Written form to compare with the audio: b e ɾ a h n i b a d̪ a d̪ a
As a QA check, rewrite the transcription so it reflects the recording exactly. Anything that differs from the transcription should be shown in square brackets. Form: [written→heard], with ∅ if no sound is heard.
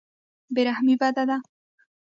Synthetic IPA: b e ɾ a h [n→m] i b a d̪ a d̪ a